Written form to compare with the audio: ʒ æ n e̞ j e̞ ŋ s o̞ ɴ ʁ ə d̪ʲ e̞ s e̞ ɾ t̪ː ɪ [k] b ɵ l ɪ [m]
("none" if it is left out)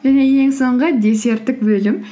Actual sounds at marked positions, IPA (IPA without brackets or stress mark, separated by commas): k, m